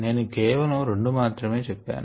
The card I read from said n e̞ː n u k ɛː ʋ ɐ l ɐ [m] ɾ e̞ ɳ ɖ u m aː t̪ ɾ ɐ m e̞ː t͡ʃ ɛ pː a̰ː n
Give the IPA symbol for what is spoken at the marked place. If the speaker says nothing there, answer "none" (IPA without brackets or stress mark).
m